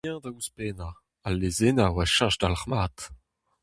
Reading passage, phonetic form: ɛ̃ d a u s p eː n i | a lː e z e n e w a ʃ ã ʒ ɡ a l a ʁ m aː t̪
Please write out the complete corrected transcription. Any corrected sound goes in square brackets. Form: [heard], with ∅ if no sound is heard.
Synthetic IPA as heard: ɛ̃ d a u s p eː n [a] | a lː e z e n [a] w a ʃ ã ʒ [d] a l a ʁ m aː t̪